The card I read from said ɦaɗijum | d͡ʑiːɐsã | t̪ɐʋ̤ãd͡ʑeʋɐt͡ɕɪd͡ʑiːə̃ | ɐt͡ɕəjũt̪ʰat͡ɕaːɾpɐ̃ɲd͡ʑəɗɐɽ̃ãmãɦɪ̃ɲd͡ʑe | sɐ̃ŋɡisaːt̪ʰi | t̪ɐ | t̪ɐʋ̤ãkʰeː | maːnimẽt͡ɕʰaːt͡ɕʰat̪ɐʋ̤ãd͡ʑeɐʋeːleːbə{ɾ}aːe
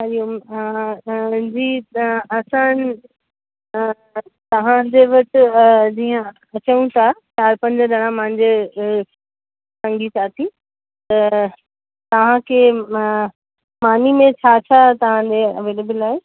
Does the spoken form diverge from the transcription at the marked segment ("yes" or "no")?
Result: yes